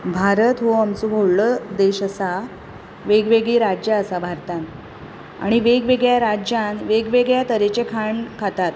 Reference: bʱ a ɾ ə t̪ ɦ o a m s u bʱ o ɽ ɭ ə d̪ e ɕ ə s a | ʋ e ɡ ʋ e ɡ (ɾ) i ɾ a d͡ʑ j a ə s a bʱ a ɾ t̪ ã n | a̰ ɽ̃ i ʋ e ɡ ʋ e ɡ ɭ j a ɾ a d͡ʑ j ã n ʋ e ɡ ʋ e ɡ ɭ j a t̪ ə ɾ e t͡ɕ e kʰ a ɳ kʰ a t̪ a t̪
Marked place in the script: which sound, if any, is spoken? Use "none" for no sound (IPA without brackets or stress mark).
ɭ